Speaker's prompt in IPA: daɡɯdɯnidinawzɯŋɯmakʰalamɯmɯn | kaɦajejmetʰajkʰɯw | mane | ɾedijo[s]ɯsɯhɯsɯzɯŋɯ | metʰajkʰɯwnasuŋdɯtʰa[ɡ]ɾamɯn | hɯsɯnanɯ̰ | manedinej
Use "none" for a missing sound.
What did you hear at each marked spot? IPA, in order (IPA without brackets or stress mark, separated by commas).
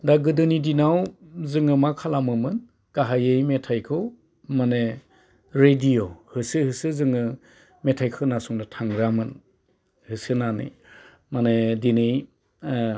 h, ŋ